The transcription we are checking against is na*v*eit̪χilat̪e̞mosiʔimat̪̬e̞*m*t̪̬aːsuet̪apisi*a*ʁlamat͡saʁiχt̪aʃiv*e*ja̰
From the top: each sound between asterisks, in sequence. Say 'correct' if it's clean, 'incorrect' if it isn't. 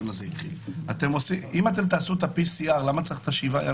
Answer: incorrect: z, correct, correct, incorrect: a

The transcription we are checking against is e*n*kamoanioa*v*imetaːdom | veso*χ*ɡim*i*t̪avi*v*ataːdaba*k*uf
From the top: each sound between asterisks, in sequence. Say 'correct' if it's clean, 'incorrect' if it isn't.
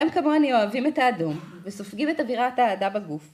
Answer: incorrect: m, correct, incorrect: f, incorrect: e, incorrect: ʁ, incorrect: ɡ

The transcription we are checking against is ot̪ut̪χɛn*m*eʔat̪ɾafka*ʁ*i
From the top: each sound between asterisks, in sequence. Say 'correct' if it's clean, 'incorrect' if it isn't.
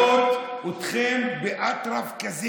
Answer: incorrect: b, incorrect: z

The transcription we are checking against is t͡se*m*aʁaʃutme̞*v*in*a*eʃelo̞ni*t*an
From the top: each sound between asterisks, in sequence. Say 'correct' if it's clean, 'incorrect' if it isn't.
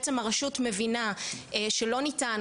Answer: correct, correct, correct, correct

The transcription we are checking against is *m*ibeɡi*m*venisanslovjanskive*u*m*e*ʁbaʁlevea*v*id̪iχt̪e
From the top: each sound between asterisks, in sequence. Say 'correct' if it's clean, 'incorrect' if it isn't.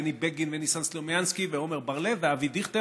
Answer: incorrect: n, incorrect: n, incorrect: o, correct, correct

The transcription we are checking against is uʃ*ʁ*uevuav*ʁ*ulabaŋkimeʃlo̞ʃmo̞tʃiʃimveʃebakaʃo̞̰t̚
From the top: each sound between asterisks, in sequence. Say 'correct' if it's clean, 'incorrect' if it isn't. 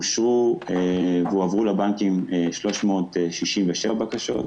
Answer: correct, correct

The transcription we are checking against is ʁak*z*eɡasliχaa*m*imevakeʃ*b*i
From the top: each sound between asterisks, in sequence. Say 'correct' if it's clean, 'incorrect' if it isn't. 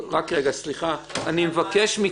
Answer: incorrect: ʁ, incorrect: n, incorrect: m

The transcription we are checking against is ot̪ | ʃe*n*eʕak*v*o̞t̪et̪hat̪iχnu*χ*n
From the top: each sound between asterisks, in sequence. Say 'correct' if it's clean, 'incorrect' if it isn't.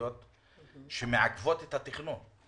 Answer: incorrect: m, correct, incorrect: none

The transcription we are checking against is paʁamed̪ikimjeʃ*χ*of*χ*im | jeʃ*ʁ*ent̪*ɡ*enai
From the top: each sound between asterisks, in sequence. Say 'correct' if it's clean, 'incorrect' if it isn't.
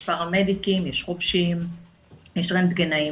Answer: correct, incorrect: ʃ, correct, correct

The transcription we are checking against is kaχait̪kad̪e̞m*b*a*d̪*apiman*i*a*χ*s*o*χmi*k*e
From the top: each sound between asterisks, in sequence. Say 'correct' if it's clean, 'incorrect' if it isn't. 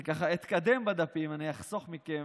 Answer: correct, correct, correct, correct, correct, correct

